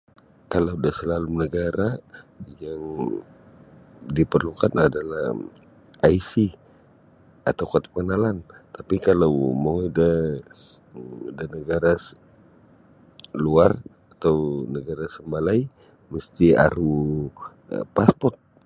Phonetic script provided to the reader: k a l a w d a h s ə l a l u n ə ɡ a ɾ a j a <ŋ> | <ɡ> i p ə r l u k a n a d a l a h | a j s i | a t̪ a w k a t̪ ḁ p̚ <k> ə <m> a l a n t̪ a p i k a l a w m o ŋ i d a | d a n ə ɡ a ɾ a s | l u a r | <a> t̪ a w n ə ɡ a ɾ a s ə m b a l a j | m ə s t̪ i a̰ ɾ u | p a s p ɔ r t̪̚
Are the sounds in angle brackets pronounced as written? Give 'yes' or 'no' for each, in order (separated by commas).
yes, no, yes, no, yes